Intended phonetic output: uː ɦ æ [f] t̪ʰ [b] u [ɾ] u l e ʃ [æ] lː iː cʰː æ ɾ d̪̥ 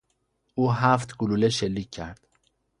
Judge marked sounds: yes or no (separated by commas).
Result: yes, no, no, no